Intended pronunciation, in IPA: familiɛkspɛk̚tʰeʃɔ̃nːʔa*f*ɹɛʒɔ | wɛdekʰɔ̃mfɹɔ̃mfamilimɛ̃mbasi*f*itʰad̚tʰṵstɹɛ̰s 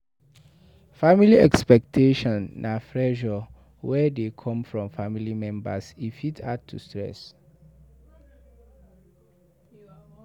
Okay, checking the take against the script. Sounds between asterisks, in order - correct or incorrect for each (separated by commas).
correct, correct